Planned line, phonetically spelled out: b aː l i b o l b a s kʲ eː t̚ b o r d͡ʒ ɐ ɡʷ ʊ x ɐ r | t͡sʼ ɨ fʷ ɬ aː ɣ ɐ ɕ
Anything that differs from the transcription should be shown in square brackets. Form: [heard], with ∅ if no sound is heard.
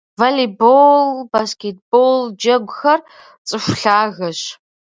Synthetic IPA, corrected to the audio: [v] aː l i b o l b a s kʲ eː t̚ b o [l] d͡ʒ ɐ ɡʷ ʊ x ɐ r | t͡sʼ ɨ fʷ ɬ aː ɣ ɐ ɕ